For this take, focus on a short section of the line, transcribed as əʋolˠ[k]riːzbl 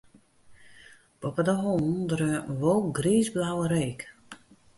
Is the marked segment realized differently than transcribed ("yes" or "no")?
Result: yes